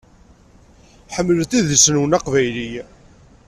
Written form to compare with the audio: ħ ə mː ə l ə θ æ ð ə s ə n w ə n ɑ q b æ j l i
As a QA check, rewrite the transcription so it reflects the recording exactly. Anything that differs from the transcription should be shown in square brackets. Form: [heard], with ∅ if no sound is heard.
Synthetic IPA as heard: ħ ə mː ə l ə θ [i] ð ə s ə n w ə n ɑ q [v] æ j l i